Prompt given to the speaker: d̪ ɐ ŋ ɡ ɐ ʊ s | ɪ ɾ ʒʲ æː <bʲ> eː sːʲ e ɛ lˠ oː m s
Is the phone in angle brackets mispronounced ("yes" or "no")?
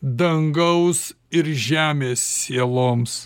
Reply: yes